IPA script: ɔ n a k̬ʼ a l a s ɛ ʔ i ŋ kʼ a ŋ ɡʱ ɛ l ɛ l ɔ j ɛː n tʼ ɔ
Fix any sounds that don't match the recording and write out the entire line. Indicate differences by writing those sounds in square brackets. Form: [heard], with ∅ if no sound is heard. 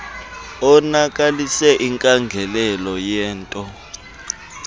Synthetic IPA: ɔ n a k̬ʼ a l [i] s ɛ ʔ i ŋ kʼ a ŋ ɡʱ ɛ l ɛ l ɔ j ɛː n tʼ ɔ